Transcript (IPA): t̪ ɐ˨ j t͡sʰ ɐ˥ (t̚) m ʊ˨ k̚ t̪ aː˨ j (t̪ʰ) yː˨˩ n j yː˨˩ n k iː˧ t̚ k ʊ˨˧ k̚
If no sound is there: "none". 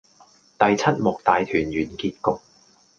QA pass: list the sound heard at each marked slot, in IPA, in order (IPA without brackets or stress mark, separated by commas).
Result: t̚, t̪ʰ